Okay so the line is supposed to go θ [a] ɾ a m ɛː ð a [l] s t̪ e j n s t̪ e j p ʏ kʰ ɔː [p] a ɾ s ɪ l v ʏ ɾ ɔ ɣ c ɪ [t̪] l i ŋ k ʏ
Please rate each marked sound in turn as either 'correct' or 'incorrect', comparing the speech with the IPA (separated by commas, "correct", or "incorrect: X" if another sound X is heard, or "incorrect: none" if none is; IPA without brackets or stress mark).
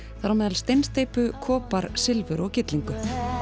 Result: correct, correct, correct, correct